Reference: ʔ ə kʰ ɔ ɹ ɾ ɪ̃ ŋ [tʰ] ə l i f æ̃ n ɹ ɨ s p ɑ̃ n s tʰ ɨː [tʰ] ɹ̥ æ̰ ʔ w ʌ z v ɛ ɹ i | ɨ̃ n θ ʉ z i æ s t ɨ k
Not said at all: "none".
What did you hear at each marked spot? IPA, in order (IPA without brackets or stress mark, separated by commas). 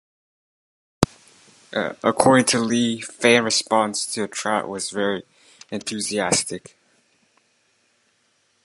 tʰ, tʰ